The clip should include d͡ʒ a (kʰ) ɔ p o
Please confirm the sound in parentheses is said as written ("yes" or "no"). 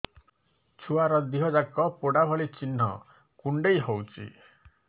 no